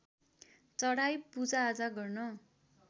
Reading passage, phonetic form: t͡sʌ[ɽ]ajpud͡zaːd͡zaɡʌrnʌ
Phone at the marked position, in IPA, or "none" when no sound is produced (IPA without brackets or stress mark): ɽ